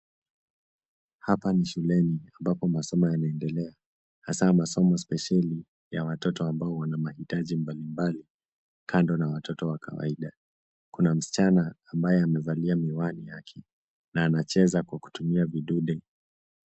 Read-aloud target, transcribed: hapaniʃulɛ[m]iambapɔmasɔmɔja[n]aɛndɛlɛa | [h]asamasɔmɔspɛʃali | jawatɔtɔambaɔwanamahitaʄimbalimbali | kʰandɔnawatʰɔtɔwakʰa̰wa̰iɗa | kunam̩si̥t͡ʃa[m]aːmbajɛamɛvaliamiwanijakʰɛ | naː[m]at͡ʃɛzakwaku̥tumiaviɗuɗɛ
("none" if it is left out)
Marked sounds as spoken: n, n, h, n, n

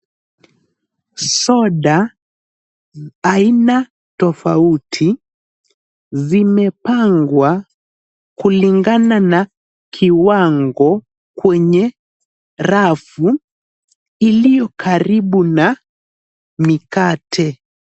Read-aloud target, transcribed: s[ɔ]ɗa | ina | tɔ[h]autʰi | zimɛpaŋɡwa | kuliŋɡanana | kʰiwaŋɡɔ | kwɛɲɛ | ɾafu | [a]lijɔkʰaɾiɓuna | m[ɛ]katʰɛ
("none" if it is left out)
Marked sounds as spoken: ɔ, f, i, i

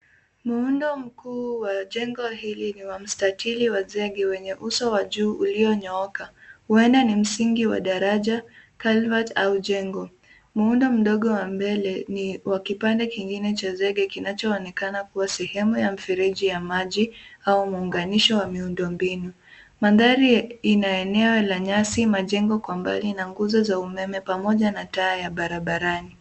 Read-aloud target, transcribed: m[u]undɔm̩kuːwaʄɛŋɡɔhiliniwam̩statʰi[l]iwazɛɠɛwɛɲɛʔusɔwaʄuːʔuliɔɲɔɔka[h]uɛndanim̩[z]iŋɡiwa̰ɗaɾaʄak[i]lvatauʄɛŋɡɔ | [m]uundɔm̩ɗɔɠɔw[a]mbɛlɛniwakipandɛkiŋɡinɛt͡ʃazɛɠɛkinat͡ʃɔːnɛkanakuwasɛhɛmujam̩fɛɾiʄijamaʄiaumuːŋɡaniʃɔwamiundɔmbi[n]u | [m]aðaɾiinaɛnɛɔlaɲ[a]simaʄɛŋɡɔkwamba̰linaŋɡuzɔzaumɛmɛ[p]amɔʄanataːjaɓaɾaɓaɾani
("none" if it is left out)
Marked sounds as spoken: u, l, h, s, a, m, a, n, m, a, p

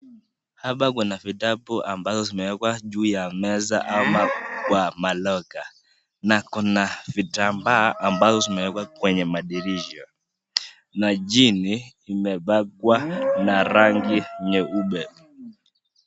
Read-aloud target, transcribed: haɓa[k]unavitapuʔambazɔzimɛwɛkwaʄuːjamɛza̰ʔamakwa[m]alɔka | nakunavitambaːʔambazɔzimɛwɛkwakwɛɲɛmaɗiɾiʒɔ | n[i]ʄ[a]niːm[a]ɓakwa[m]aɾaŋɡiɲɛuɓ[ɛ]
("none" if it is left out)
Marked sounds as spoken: k, m, a, i, ɛ, n, ɛ

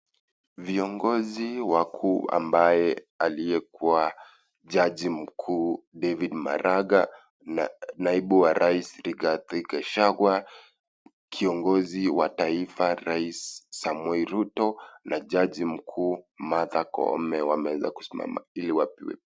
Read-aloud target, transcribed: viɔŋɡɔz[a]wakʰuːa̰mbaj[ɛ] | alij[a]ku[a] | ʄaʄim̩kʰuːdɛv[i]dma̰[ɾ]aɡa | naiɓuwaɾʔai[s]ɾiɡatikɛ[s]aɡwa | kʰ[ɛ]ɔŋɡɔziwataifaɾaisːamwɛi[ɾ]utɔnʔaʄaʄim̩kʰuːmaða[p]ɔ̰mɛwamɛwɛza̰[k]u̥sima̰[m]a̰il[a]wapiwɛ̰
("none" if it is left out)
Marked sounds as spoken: i, ɛ, ɛ, a, i, ɾ, s, ʃ, i, ɾ, k, k, m, i

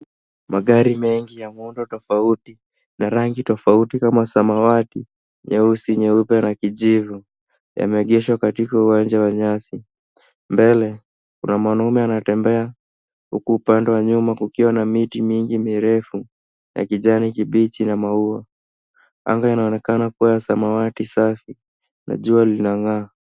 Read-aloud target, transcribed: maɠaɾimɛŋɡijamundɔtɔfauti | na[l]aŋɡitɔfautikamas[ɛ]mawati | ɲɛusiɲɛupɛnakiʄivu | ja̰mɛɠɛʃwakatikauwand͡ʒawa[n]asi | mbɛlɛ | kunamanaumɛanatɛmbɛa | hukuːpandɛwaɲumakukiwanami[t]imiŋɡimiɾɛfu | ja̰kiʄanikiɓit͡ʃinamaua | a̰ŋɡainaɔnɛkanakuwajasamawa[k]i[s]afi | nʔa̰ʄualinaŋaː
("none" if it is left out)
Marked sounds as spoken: ɾ, a, ɲ, t, t, s

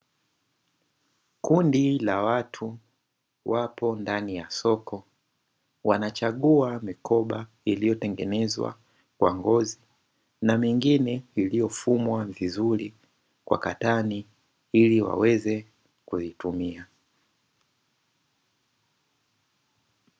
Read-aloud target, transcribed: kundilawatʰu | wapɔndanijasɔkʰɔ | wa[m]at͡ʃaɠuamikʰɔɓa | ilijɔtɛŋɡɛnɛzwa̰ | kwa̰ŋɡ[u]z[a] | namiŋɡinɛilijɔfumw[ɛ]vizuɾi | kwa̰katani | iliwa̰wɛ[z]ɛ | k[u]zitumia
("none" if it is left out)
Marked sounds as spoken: n, ɔ, i, a, z, u

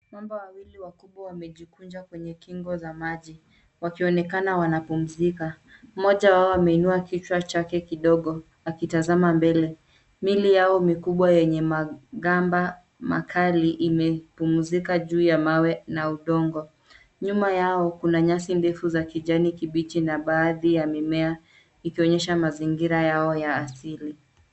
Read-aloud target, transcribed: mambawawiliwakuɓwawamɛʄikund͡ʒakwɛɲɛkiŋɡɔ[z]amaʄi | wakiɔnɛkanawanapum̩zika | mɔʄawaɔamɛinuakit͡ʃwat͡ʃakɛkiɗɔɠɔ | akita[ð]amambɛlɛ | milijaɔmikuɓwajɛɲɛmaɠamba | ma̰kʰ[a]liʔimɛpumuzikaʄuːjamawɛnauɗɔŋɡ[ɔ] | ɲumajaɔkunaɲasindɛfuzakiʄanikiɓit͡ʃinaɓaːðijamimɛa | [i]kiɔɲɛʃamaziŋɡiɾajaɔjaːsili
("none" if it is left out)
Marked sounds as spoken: z, z, a, ɔ, i

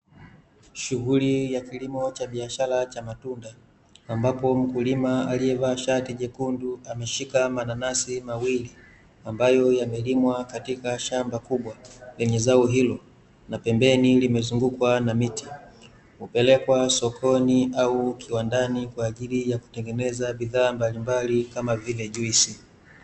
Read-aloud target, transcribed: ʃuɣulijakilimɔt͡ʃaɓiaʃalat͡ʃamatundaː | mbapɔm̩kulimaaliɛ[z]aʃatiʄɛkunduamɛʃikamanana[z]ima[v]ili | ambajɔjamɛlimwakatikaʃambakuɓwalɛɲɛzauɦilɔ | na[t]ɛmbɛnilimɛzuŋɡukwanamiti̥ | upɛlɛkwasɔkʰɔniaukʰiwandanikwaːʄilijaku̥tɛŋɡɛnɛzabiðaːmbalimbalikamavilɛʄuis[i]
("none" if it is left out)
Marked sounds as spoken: v, s, w, p, i

